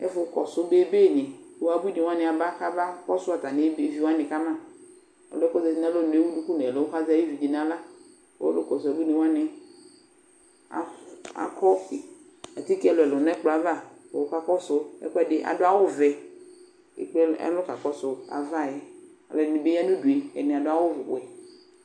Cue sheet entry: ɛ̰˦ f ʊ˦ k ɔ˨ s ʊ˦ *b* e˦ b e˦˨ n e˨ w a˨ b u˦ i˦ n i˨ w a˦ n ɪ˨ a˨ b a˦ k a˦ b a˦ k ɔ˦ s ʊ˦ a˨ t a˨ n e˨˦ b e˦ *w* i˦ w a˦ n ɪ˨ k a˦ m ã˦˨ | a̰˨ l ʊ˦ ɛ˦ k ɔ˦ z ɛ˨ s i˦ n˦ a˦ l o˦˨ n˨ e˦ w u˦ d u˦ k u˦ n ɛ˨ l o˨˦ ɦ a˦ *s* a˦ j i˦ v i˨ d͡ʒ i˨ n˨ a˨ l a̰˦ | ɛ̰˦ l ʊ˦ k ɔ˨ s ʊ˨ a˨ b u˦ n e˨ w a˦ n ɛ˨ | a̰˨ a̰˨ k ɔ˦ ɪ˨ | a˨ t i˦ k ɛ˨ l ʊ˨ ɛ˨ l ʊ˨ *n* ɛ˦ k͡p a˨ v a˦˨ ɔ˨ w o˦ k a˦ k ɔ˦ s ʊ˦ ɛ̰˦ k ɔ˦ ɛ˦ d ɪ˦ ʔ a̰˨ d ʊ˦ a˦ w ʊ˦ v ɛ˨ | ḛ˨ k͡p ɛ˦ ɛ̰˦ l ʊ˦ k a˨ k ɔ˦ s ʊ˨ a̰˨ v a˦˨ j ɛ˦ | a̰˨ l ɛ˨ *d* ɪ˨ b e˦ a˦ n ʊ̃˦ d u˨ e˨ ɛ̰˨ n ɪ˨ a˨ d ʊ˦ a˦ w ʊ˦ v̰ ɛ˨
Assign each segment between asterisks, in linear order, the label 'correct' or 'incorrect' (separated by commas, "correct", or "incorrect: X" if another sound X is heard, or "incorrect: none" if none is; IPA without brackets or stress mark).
correct, incorrect: v, incorrect: z, correct, incorrect: n